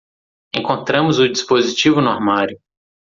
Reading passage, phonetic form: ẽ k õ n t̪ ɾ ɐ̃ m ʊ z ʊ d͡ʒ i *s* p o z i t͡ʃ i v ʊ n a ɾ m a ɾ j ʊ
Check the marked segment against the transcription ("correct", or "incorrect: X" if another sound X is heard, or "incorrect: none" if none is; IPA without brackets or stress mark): correct